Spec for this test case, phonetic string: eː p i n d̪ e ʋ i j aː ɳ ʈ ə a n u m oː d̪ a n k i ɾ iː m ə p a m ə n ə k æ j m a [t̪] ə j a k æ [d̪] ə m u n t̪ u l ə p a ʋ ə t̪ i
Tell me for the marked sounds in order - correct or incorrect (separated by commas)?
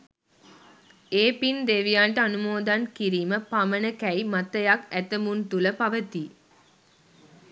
correct, incorrect